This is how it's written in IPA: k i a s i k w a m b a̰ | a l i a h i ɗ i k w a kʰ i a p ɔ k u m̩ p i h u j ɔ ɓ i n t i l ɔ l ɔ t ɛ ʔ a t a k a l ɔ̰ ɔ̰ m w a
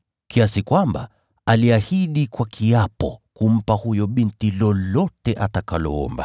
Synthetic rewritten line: k i a s i k w a m b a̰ | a l i a h i ɗ i k w a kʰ i a p ɔ k u m̩ p a h u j ɔ ɓ i n t i l ɔ l ɔ t ɛ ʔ a t a k a l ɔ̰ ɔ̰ m b a